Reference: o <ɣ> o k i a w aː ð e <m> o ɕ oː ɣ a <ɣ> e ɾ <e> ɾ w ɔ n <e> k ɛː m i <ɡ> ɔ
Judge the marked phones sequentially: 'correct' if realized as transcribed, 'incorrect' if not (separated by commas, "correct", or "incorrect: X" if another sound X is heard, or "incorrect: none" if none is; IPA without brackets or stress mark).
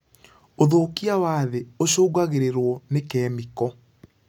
incorrect: ð, incorrect: none, correct, correct, correct, incorrect: k